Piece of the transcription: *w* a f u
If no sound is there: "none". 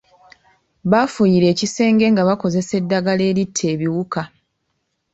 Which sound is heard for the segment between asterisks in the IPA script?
β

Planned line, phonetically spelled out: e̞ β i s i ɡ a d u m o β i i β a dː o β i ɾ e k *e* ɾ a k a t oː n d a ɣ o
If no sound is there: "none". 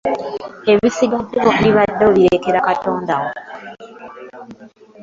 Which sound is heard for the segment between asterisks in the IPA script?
e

